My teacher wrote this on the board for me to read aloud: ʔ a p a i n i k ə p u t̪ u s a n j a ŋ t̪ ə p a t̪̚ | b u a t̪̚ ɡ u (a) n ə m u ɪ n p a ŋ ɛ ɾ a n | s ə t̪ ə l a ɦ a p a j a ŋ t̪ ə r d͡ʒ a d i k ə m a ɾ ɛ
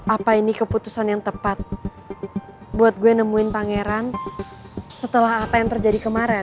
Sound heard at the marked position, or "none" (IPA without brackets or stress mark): ɛ